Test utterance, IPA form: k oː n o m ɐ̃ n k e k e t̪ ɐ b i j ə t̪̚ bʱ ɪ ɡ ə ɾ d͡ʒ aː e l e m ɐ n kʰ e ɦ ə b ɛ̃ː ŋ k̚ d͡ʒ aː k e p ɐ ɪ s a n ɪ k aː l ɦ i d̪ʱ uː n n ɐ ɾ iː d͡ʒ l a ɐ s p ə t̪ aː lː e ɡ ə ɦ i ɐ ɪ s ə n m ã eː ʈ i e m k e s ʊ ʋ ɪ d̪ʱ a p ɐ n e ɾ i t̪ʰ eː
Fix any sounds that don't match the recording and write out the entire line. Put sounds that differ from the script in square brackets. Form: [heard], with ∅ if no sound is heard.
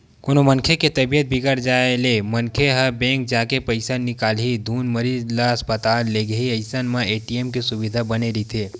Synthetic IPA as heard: k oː n o m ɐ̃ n [kʰ] e k e t̪ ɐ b i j ə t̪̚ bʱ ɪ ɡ ə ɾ d͡ʒ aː e l e m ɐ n kʰ e ɦ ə b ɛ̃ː ŋ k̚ d͡ʒ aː k e p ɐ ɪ s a n ɪ k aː l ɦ i d̪ʱ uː n [m] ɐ ɾ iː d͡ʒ l a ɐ s p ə t̪ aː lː e ɡ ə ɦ i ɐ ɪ s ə n m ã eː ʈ i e m k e s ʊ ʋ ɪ d̪ʱ a [b] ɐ n e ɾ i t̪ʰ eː

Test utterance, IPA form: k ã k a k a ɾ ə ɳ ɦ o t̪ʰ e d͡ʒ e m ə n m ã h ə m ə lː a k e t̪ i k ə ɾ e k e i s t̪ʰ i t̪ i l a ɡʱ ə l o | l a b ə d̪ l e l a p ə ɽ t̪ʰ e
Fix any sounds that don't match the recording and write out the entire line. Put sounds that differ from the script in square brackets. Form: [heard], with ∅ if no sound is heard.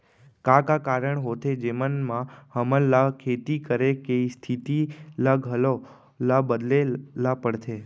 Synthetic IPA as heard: k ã k a k a ɾ ə ɳ ɦ o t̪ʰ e d͡ʒ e m ə n m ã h ə m ə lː a [kʰ] e t̪ i k ə ɾ e k e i s t̪ʰ i t̪ i l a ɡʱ ə l o | l a b ə d̪ l e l a p ə ɽ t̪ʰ e

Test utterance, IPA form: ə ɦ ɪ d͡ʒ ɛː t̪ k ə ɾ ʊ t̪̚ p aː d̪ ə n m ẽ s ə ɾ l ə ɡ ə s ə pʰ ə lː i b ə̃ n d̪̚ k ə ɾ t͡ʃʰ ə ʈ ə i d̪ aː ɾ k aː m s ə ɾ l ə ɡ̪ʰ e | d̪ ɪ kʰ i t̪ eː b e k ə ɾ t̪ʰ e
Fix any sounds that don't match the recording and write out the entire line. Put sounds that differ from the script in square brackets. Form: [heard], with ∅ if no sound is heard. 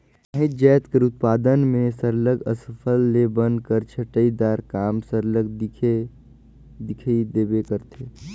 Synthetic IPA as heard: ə ɦ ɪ d͡ʒ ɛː t̪ k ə ɾ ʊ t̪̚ p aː d̪ ə n m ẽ s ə ɾ l ə ɡ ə s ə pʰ ə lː [e] b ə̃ n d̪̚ k ə ɾ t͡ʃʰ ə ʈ ə i d̪ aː ɾ k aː m s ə ɾ l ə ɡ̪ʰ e | d̪ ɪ kʰ i [d̪] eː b e k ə ɾ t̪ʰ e

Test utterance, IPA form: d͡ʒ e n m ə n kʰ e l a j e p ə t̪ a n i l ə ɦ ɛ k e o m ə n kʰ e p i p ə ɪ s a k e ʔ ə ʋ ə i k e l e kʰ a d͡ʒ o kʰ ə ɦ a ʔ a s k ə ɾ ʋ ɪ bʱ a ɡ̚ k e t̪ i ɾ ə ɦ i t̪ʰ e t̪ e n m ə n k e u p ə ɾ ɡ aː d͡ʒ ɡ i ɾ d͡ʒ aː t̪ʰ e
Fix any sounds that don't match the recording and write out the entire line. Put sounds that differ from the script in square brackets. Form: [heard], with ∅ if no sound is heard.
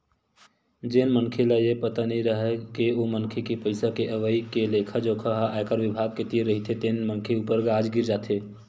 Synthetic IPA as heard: d͡ʒ e n m ə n kʰ e l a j e p ə t̪ a n i [ɾ] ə ɦ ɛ k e o m ə n kʰ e [k] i p ə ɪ s a k e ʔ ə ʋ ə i k e l e kʰ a d͡ʒ o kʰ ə ɦ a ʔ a [∅] k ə ɾ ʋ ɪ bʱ a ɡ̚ k e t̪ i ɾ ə ɦ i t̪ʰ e t̪ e n m ə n [kʰ] e u p ə ɾ ɡ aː d͡ʒ ɡ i ɾ d͡ʒ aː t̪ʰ e

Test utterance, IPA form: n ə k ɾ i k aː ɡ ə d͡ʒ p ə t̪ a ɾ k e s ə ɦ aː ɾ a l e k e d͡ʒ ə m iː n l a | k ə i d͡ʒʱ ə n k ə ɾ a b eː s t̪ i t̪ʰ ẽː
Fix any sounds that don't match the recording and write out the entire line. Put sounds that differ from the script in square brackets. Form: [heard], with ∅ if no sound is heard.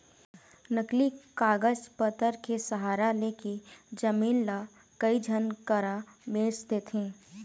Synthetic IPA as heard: n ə k [l] i k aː ɡ ə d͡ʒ p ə t̪ [ə] ɾ k e s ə ɦ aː ɾ a l e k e d͡ʒ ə m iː n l a | k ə i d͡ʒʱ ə n k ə ɾ a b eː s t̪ [e] t̪ʰ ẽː

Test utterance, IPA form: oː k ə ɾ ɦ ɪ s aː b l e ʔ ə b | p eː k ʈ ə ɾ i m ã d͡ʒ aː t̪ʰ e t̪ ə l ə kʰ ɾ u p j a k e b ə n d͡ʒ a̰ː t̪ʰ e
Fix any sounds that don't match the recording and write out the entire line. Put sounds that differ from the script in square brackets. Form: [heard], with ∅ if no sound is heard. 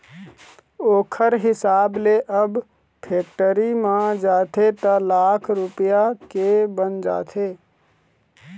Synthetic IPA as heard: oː [kʰ] ə ɾ ɦ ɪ s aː b l e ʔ ə b | [pʰ] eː k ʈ ə ɾ i m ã d͡ʒ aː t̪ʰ e t̪ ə l [a] kʰ ɾ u p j a k e b ə n d͡ʒ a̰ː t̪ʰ e

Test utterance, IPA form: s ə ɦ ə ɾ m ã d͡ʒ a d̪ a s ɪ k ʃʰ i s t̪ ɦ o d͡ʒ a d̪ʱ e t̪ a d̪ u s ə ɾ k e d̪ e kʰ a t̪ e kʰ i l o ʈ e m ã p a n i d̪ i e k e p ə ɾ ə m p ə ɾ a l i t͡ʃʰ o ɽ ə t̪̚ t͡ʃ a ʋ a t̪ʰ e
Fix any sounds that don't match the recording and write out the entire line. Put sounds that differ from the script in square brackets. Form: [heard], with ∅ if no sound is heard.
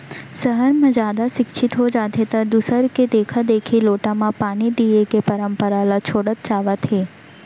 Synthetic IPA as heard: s ə ɦ ə ɾ m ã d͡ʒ a d̪ a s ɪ k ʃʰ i [∅] t̪ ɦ o d͡ʒ a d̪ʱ e t̪ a d̪ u s ə ɾ k e d̪ e kʰ a [d̪] e kʰ i l o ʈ [a] m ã p a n i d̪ i e k e p ə ɾ ə m p ə ɾ a l [a] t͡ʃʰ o ɽ ə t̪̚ t͡ʃ a ʋ a t̪ʰ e

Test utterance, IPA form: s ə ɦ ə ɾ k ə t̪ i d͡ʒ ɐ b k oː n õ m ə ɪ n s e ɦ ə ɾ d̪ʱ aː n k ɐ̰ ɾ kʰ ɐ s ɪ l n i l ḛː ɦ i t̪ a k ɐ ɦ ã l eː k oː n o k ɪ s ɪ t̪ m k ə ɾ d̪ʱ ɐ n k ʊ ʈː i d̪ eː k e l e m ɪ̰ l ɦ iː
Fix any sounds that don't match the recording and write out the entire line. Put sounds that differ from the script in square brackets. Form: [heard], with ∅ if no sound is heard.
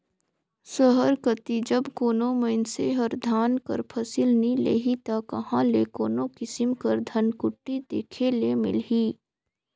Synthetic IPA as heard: s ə ɦ ə ɾ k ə t̪ i d͡ʒ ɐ b k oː n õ m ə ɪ n s e ɦ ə ɾ d̪ʱ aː n k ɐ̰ ɾ [pʰ] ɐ s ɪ l n i l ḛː ɦ i t̪ a k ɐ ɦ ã l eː k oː n o k ɪ s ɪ [∅] m k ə ɾ d̪ʱ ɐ n k ʊ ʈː i d̪ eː [kʰ] e l e m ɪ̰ l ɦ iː

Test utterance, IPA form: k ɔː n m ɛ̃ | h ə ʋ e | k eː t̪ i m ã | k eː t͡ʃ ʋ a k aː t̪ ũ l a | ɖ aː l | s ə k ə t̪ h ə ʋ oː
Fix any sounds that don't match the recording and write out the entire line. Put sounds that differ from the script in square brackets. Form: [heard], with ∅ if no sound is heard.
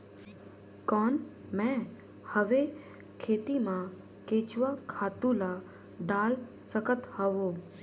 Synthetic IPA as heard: k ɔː n m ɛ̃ | h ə ʋ e | [kʰ] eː t̪ i m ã | k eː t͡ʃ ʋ a [kʰ] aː t̪ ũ l a | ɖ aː l | s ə k ə t̪ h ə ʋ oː

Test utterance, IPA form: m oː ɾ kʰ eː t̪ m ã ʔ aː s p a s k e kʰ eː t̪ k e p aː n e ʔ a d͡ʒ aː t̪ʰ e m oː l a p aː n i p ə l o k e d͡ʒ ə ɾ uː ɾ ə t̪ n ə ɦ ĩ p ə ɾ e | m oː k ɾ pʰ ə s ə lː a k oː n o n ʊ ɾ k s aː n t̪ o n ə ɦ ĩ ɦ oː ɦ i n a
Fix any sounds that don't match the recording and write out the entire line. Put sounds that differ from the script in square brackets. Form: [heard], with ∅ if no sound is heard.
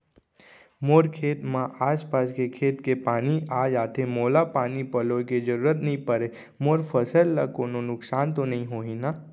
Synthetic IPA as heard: m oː ɾ kʰ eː t̪ m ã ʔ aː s p a s k e kʰ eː t̪ k e p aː n [i] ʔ a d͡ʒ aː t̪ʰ e m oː l a p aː n i p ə l o k e d͡ʒ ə ɾ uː ɾ ə t̪ n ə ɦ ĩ p ə ɾ e | m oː [∅] ɾ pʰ ə s ə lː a k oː n o n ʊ [∅] k s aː n t̪ o n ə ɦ ĩ ɦ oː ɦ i n a

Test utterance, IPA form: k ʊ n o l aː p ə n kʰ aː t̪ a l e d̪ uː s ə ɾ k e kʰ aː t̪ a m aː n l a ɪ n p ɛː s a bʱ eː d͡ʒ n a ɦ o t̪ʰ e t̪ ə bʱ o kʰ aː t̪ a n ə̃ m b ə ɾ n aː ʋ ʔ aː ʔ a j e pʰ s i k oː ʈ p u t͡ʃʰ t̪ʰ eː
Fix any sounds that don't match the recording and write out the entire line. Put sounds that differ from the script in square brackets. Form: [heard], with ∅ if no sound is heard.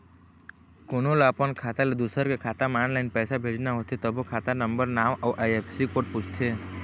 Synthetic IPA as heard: k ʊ n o l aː p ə n kʰ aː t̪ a l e d̪ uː s ə ɾ k e kʰ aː t̪ a m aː n l a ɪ n p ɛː s a bʱ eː d͡ʒ n a ɦ o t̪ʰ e t̪ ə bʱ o kʰ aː t̪ a n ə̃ m b ə ɾ n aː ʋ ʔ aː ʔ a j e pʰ s i k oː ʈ p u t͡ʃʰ t̪ʰ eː

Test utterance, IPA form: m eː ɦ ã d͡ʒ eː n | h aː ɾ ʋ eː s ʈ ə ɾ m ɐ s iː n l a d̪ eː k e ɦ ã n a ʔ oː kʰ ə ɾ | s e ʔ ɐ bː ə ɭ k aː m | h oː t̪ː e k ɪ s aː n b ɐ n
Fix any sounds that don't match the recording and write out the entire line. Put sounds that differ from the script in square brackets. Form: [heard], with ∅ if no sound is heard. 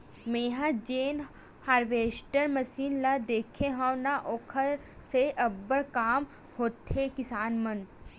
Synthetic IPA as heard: m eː ɦ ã d͡ʒ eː n | h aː ɾ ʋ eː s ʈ ə ɾ m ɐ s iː n l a d̪ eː [kʰ] e ɦ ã n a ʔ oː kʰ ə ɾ | s e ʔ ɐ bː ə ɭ k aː m | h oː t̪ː e k ɪ s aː n [m] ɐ n

